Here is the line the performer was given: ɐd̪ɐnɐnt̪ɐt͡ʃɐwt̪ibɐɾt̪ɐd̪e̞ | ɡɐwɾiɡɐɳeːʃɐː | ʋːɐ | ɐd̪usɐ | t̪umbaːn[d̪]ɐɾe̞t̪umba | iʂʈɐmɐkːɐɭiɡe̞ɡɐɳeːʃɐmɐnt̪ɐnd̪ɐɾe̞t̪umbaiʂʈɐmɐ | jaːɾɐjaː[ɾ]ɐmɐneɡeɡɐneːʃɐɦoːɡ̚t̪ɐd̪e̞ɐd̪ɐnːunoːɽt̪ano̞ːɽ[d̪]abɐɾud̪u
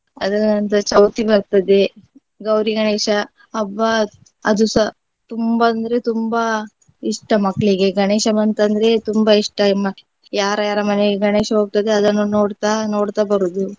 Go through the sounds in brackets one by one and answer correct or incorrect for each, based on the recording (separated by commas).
correct, correct, incorrect